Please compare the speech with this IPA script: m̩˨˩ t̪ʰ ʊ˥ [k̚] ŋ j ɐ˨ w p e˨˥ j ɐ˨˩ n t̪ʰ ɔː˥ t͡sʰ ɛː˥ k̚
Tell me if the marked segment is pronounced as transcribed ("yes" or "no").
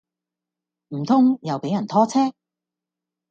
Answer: no